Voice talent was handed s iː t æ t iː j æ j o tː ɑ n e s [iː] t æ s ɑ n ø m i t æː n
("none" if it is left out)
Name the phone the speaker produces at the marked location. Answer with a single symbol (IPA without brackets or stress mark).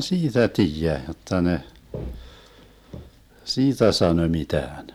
iː